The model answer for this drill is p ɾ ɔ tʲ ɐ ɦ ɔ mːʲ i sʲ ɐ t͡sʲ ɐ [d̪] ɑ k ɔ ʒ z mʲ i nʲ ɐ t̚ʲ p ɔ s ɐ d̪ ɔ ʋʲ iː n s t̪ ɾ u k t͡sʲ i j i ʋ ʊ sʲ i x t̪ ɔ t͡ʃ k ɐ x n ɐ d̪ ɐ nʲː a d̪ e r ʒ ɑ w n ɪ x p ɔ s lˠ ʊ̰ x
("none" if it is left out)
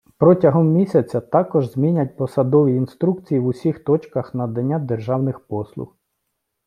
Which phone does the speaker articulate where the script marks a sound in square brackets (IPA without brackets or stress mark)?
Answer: t̪